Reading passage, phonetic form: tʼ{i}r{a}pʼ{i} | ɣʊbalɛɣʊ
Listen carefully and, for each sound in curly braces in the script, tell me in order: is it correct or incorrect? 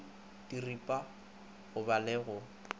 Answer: correct, incorrect, incorrect

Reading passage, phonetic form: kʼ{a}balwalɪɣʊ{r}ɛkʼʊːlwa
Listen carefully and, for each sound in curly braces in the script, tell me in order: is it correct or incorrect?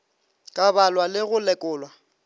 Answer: correct, incorrect

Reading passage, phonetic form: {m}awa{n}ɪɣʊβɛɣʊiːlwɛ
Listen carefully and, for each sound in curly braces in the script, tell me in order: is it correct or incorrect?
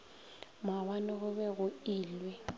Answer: correct, correct

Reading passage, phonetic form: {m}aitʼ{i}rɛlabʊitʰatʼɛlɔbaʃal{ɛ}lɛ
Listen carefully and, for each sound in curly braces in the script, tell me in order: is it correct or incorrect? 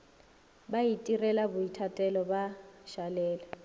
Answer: incorrect, correct, incorrect

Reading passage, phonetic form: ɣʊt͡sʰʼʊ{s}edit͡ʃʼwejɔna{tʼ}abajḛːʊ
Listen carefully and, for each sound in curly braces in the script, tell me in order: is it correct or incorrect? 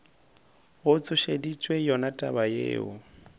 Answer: incorrect, correct

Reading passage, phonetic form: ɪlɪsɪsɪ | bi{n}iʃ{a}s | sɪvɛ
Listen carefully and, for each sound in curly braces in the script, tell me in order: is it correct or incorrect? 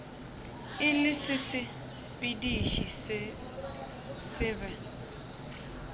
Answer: incorrect, incorrect

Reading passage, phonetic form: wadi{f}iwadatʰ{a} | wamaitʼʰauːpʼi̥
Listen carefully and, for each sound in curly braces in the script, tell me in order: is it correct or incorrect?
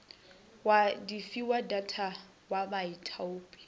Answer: correct, correct

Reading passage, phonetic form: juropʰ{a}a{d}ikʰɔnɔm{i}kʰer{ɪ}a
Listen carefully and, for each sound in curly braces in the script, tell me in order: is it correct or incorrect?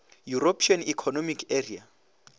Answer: incorrect, incorrect, correct, incorrect

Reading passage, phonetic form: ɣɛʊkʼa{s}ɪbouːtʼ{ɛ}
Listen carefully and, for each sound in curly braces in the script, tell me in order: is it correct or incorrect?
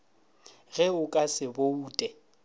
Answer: correct, correct

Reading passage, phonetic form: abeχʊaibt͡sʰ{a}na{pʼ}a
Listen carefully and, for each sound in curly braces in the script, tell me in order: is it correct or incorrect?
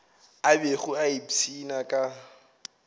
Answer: incorrect, incorrect

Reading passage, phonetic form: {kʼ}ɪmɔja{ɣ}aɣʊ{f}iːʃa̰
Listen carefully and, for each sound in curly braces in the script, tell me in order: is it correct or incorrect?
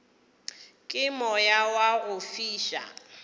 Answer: correct, incorrect, correct

